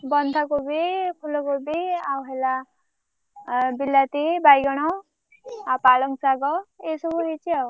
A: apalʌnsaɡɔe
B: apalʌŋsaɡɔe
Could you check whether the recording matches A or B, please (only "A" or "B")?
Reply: B